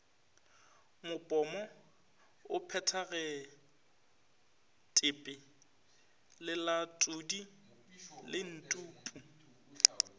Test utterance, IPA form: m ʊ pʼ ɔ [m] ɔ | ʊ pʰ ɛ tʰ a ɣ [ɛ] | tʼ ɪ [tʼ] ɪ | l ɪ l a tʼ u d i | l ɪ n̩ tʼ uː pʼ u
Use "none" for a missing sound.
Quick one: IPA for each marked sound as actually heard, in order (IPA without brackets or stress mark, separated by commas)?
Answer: m, ɛ, pʼ